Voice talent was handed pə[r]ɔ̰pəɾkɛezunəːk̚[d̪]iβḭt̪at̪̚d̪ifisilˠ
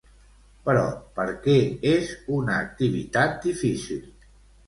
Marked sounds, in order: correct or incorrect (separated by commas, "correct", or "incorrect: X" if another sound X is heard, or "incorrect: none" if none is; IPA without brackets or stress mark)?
incorrect: ɾ, incorrect: t̪